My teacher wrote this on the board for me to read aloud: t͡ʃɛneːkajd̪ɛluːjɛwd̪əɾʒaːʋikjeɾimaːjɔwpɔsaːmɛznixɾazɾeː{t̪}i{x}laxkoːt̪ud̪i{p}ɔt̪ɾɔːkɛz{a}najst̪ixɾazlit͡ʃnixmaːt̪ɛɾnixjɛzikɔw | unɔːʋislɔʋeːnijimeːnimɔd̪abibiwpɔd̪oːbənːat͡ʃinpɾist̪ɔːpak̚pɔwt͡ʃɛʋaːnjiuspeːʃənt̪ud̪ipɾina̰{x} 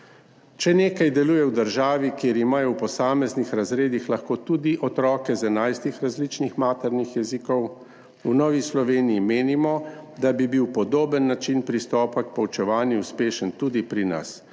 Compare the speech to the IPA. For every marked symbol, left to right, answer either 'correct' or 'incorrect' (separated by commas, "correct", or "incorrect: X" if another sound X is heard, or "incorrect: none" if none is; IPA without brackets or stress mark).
incorrect: d̪, correct, incorrect: ʔ, incorrect: ɛ, incorrect: s